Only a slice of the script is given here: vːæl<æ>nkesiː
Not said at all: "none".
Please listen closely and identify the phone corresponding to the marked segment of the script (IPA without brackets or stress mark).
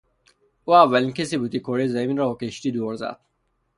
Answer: i